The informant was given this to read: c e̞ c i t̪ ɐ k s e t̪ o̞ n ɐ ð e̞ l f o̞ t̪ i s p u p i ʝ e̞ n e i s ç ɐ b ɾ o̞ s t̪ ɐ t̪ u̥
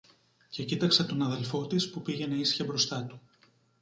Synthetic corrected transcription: c e̞ c i t̪ ɐ k s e t̪ o̞ n ɐ ð e̞ l f o̞ t̪ i s p u p i ʝ e̞ n e i s ç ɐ b ɾ o̞ s t̪ ɐ t̪ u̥

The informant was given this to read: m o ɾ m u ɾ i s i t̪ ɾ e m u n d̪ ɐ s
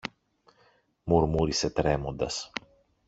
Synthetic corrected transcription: m u ɾ m u ɾ i s e t̪ ɾ e m o n d̪ ɐ s

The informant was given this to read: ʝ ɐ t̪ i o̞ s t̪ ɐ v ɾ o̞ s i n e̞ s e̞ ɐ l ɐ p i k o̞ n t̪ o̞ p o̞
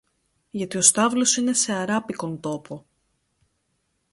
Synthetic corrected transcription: ʝ ɐ t̪ i o̞ s t̪ ɐ v l o̞ s i n e̞ s e̞ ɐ ɾ ɐ p i k o̞ n t̪ o̞ p o̞

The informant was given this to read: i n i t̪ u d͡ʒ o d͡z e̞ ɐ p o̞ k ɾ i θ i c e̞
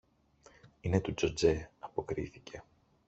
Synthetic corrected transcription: i n e t̪ u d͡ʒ o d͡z e̞ ɐ p o̞ k ɾ i θ i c e̞

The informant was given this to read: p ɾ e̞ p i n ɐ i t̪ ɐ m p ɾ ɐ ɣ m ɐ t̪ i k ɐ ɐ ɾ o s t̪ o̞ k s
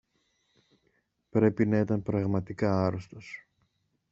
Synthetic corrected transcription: p ɾ e̞ p i n ɐ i t̪ ɐ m p ɾ ɐ ɣ m ɐ t̪ i k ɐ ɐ ɾ o s t̪ o̞ s

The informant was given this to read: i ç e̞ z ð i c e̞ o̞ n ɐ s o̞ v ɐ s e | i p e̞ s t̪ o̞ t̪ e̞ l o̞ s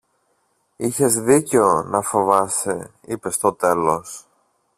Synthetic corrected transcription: i ç e̞ z ð i c e̞ o̞ n ɐ f o̞ v ɐ s e | i p e̞ s t̪ o̞ t̪ e̞ l o̞ s

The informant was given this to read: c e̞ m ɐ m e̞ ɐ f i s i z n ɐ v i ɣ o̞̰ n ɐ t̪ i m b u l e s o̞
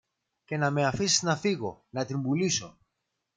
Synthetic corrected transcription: c e̞ n ɐ m e̞ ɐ f i s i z n ɐ f i ɣ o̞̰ n ɐ t̪ i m b u l i s o̞

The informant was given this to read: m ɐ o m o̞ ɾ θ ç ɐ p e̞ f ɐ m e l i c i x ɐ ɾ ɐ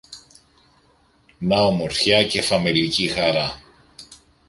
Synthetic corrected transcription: n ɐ o m o̞ ɾ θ ç ɐ c e̞ f ɐ m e l i c i x ɐ ɾ ɐ

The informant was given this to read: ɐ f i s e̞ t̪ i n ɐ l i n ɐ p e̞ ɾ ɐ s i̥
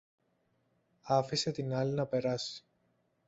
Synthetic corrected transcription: ɐ f i s e̞ t̪ i n ɐ l i n ɐ p e̞ ɾ ɐ s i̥

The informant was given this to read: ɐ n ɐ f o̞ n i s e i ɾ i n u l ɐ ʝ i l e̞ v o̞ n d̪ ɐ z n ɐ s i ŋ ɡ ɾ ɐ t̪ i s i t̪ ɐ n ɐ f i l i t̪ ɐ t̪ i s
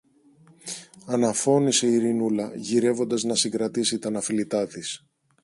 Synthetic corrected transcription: ɐ n ɐ f o̞ n i s e i ɾ i n u l ɐ ʝ i ɾ e̞ v o̞ n d̪ ɐ z n ɐ s i ŋ ɡ ɾ ɐ t̪ i s i t̪ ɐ n ɐ f i l i t̪ ɐ t̪ i s

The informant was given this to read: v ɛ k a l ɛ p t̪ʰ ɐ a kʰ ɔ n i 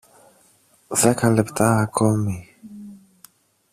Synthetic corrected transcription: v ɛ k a l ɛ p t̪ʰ a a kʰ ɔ m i

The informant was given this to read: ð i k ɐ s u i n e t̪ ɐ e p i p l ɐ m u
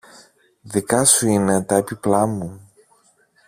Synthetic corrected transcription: ð i k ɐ s u i n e t̪ ɐ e p i p l ɐ m u

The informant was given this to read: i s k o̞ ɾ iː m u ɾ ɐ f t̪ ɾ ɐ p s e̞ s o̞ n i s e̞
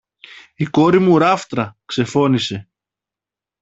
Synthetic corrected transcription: i k o̞ ɾ i m u ɾ ɐ f t̪ ɾ ɐ k s e̞ f o̞ n i s e̞

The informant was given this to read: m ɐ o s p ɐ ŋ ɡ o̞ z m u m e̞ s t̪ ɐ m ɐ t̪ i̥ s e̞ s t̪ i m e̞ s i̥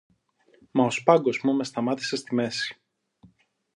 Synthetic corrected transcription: m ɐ o s p ɐ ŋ ɡ o̞ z m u m e̞ s t̪ ɐ m ɐ t̪ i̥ s e̞ s t̪ i m e̞ s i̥

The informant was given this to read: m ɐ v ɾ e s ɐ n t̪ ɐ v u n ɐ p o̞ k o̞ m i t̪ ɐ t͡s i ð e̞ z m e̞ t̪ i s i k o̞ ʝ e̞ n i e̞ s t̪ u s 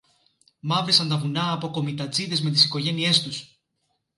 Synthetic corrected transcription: m ɐ v ɾ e s ɐ n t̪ ɐ v u n ɐː p o̞ k o̞ m i t̪ ɐ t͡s i ð e̞ z m e̞ t̪ i s i k o̞ ʝ e̞ n i e̞ s t̪ u s

